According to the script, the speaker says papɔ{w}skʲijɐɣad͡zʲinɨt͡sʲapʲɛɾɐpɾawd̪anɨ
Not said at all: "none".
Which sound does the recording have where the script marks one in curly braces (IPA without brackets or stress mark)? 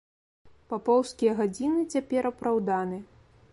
w